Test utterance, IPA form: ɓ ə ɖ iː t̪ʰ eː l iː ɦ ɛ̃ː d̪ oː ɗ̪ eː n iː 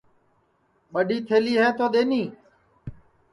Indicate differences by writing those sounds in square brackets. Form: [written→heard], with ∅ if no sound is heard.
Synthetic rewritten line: ɓ ə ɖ iː t̪ʰ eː l iː ɦ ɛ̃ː [d̪→t̪] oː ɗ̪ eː n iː